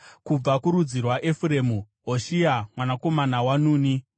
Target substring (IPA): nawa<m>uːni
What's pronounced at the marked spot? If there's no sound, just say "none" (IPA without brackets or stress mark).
n